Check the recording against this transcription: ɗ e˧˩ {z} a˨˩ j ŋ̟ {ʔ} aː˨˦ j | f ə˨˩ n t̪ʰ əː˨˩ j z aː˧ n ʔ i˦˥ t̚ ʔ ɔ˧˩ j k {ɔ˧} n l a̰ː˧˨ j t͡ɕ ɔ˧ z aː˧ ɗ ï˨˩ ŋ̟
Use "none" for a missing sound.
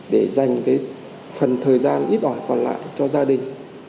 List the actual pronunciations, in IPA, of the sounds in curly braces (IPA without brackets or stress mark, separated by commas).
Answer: z, k, ɔ˨˩